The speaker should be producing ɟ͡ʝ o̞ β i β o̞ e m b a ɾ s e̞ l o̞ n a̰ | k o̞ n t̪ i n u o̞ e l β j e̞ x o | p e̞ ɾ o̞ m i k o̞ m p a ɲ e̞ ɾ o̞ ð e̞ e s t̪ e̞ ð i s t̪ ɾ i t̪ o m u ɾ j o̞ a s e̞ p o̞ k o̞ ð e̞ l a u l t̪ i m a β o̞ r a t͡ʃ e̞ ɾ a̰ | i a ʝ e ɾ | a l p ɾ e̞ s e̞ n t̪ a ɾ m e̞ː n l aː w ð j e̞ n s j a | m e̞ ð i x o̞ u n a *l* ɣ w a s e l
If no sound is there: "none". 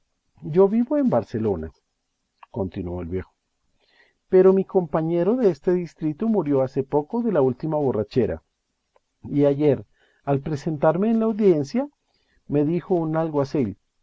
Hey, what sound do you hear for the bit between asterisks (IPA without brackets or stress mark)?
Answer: l